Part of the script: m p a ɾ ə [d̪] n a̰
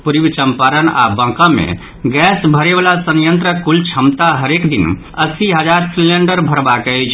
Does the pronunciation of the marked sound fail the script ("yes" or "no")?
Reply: yes